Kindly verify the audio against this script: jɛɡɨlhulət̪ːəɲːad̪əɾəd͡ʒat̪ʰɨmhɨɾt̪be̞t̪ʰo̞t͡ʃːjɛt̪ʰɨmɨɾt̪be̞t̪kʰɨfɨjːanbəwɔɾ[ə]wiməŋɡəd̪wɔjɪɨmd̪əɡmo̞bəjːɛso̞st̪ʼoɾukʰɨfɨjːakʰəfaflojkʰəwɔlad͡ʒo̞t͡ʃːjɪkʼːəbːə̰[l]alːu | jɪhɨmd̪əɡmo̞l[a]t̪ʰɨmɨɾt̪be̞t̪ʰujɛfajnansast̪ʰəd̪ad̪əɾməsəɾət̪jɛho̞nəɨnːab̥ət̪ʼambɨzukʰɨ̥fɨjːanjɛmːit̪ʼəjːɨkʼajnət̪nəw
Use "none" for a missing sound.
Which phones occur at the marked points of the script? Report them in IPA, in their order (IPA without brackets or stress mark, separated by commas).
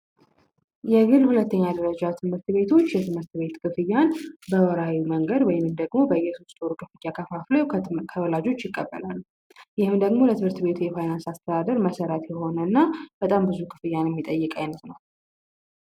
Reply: a, l, ə